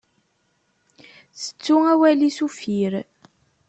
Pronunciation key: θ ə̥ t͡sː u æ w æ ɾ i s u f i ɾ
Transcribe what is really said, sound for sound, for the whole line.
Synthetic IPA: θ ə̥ t͡sː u æ w æ l i s u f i ɾ